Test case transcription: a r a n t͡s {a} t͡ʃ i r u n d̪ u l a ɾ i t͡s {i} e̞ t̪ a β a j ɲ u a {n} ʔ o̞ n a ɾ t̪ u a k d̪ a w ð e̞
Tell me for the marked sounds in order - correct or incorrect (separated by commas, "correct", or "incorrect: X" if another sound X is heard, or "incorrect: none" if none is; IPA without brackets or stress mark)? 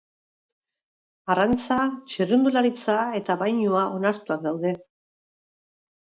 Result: correct, incorrect: a, incorrect: none